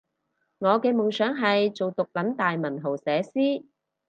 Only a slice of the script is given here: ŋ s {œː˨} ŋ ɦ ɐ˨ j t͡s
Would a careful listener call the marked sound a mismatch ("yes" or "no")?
yes